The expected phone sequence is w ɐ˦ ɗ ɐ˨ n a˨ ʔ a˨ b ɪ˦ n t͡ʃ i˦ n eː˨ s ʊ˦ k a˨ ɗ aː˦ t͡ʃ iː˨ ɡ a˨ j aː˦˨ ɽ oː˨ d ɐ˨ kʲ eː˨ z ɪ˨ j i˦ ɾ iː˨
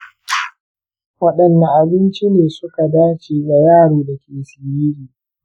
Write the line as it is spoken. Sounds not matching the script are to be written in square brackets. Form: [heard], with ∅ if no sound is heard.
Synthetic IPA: w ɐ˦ ɗ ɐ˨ [nː] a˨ ʔ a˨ b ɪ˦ n t͡ʃ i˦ n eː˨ s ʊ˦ k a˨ [d] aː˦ t͡ʃ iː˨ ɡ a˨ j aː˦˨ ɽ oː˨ d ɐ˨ kʲ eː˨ [s] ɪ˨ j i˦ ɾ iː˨